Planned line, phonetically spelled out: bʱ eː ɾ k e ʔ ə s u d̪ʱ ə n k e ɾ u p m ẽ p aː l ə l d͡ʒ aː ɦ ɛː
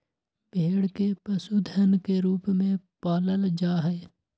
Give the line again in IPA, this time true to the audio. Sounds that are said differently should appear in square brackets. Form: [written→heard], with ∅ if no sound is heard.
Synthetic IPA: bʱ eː [ɾ→ɽ] k e [ʔ→p] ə s u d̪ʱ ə n k e ɾ [u→uː] p m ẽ p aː l ə l d͡ʒ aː ɦ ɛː